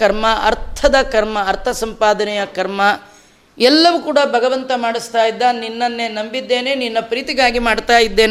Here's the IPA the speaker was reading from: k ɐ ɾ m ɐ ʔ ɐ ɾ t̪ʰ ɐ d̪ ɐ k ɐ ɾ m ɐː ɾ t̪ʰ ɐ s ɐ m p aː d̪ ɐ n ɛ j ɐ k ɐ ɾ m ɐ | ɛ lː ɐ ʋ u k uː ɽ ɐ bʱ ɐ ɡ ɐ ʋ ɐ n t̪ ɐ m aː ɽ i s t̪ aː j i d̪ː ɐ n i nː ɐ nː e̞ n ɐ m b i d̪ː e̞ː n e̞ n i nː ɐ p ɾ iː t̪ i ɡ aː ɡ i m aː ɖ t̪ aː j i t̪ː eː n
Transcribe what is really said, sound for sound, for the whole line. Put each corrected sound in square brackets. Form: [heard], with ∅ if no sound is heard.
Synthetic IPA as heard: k ɐ ɾ m ɐ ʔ ɐ ɾ t̪ʰ ɐ d̪ ɐ k ɐ ɾ m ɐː ɾ t̪ʰ ɐ s ɐ m p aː d̪ ɐ n ɛ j ɐ k ɐ ɾ m ɐ | ɛ lː ɐ ʋ u k uː ɽ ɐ bʱ ɐ ɡ ɐ ʋ ɐ n t̪ ɐ m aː ɽ i s t̪ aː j i d̪ː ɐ n i nː ɐ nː e̞ n ɐ m b i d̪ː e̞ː n e̞ n i nː ɐ p ɾ iː t̪ i ɡ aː ɡ i m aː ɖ t̪ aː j i [d̪ː] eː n